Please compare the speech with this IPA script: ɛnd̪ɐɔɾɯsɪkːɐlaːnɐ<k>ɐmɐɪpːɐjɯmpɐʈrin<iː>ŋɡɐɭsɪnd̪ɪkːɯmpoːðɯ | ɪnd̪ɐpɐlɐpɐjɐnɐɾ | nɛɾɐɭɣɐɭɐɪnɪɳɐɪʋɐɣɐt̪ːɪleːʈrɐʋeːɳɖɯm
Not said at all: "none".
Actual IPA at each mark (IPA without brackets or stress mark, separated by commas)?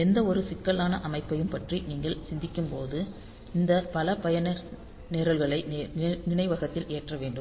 ʔ, iː